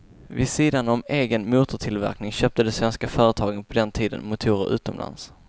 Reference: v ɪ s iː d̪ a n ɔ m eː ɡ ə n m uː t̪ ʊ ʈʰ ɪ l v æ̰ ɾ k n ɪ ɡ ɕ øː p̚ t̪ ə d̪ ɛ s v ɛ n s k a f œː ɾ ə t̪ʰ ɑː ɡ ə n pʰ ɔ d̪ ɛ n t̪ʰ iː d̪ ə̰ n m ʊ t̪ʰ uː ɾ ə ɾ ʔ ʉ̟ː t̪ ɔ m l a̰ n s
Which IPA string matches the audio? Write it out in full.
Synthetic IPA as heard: v ɪ s iː d̪ a n ɔ m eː ɡ ə n m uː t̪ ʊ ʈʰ ɪ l v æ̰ ɾ k n ɪ ŋ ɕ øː p̚ t̪ ə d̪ ɛ s v ɛ n s k a f œː ɾ ə t̪ʰ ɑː ɡ ə n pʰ ɔ d̪ ɛ n t̪ʰ iː d̪ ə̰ n m ʊ t̪ʰ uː ɾ ə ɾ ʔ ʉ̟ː t̪ ɔ m l a̰ n s